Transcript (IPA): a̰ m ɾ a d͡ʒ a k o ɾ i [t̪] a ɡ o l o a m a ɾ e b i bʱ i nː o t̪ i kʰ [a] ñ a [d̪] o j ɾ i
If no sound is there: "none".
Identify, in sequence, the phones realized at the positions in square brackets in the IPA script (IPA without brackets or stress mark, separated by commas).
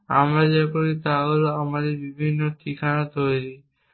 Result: t̪, a, t̪